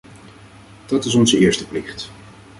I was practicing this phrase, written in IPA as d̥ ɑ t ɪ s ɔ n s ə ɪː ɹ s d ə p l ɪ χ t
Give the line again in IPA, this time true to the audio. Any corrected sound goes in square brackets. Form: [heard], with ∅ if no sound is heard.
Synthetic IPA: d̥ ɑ t ɪ s ɔ n [z] ə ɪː ɹ s [t] ə p l ɪ χ t